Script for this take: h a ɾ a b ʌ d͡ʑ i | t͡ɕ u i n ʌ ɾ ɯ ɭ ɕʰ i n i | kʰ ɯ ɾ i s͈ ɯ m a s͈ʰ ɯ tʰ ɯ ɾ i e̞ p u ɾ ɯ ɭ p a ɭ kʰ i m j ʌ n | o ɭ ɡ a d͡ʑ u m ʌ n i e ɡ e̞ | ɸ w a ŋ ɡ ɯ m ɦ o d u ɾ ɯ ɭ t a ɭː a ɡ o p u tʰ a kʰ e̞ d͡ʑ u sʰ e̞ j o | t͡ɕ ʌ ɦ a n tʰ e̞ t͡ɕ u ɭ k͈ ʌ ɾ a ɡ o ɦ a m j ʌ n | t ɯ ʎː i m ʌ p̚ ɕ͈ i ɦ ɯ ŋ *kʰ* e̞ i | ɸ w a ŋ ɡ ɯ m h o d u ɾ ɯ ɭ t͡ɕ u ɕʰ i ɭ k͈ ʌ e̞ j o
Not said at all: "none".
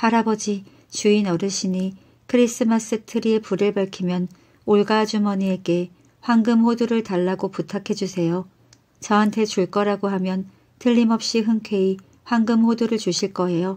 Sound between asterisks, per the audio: kʰ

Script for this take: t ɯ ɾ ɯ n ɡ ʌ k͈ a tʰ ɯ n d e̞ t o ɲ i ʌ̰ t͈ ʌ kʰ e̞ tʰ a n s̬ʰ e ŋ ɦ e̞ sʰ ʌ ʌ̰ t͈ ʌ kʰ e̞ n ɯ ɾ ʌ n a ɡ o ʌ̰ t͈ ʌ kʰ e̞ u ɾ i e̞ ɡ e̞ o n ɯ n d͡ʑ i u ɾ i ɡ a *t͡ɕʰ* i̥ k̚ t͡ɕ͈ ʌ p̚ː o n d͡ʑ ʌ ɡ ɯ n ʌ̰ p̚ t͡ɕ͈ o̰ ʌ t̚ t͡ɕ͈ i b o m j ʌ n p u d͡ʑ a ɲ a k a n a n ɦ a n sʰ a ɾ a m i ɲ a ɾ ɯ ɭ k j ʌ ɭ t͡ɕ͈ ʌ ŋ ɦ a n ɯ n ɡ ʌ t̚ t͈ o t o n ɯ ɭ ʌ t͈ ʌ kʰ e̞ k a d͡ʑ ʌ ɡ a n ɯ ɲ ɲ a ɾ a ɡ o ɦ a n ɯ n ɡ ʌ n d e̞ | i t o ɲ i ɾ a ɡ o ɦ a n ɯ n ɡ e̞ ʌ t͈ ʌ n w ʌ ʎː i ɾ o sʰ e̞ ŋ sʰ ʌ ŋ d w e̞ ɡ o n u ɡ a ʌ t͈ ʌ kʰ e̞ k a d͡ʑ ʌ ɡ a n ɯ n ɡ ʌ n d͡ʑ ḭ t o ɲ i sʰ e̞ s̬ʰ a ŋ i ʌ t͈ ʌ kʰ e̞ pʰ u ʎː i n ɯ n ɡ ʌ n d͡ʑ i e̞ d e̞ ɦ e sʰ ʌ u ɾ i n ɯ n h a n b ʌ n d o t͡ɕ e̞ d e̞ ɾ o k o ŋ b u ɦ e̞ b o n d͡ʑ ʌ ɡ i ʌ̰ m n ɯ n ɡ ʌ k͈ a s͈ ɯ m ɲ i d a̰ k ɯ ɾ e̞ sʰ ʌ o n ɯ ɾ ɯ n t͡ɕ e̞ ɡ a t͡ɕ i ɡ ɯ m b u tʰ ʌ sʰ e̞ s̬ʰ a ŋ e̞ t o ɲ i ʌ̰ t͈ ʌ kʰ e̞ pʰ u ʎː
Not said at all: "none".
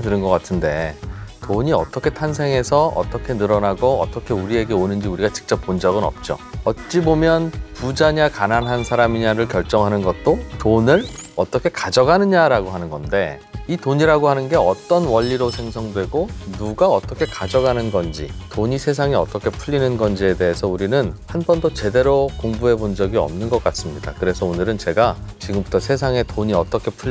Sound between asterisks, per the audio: t͡ɕ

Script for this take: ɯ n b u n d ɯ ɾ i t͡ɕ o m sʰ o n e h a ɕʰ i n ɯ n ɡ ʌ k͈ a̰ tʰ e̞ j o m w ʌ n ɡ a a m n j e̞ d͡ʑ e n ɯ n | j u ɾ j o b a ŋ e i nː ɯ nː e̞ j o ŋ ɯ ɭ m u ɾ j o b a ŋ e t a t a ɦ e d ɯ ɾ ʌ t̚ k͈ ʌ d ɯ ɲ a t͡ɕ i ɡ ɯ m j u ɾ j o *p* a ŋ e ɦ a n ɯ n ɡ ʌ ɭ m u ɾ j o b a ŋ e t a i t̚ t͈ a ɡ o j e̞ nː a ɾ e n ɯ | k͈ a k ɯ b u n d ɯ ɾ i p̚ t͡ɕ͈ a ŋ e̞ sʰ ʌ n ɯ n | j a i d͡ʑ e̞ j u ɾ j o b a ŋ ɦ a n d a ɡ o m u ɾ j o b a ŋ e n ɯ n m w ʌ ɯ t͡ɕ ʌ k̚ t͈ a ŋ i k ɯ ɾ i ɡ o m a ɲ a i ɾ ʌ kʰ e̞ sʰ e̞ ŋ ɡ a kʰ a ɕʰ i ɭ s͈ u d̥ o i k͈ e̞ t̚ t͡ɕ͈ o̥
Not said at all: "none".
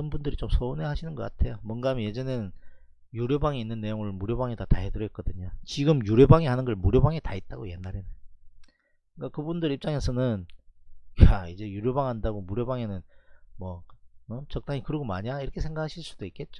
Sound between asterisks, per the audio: b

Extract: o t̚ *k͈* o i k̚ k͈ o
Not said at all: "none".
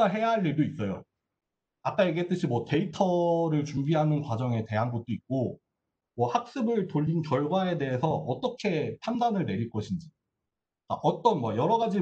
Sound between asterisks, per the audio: t͈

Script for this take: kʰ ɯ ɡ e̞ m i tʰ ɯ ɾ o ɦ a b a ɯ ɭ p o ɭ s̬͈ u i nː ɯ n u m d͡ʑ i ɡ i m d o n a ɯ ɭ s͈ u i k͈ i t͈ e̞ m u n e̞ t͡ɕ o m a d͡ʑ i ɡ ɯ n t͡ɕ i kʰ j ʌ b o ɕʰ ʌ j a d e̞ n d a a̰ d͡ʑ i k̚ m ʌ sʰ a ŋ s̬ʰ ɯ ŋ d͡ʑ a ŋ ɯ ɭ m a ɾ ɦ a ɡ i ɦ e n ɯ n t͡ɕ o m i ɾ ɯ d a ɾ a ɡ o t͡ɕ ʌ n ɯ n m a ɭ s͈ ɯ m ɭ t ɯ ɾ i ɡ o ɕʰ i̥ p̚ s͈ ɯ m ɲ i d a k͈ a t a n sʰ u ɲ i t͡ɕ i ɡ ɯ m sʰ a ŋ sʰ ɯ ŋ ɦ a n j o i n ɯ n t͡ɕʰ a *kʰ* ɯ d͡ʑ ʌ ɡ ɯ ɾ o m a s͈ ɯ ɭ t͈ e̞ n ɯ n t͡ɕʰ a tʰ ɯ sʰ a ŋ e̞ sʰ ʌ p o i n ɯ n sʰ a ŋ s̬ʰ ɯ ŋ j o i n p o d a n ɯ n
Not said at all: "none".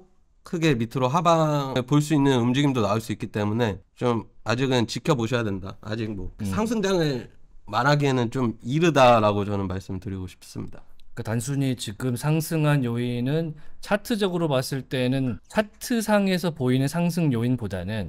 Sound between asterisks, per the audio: tʰ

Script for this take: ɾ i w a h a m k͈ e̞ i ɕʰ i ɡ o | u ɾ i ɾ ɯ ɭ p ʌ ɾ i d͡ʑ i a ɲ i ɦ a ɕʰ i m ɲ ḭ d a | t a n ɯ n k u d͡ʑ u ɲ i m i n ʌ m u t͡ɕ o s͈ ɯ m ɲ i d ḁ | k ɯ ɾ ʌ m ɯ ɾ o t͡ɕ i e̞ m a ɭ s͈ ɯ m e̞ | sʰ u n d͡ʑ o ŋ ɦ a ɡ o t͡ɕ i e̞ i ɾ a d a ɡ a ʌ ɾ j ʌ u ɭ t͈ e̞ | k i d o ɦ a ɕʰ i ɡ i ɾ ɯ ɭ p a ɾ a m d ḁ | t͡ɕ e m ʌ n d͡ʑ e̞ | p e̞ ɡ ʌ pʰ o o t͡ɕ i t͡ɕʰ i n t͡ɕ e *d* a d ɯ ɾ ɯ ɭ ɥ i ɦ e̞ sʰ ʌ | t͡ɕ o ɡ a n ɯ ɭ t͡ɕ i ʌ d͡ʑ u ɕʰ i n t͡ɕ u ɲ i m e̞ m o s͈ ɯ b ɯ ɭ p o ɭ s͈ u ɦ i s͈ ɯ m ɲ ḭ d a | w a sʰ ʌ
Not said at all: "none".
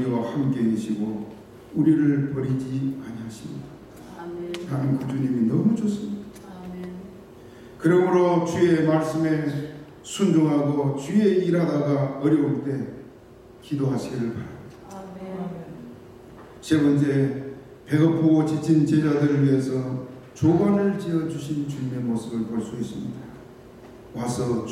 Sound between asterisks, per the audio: d͡ʑ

